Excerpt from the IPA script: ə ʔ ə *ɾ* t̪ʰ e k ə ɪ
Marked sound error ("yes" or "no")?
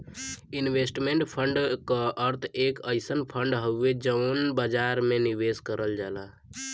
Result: no